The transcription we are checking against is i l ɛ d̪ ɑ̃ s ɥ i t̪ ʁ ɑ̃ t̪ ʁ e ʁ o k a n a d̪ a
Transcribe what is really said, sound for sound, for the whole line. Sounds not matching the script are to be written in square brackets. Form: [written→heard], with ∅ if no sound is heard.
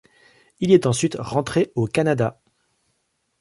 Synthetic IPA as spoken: i l ɛ [d̪→t̪] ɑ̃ s ɥ i t̪ ʁ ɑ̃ t̪ [ʁ→χ] e [ʁ→∅] o k a n a d̪ a